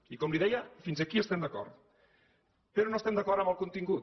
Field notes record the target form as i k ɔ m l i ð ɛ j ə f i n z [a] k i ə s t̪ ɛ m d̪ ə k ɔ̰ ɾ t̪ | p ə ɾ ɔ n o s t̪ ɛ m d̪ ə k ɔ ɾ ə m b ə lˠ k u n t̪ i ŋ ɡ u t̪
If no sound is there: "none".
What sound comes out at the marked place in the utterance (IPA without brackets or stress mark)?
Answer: ə